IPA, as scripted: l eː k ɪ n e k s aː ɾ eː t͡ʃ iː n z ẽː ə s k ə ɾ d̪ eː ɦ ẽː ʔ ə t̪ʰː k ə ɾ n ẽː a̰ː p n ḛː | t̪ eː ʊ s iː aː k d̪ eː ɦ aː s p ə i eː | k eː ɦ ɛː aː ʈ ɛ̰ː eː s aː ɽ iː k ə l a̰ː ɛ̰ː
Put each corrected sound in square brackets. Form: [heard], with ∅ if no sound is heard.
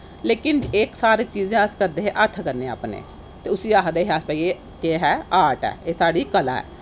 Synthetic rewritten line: l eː k ɪ n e k s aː ɾ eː t͡ʃ iː [∅] z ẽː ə s k ə ɾ d̪ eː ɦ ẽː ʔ ə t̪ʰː k ə ɾ n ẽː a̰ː p n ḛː | t̪ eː ʊ s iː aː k d̪ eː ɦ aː s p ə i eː | k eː ɦ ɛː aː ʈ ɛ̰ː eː s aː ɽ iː k ə l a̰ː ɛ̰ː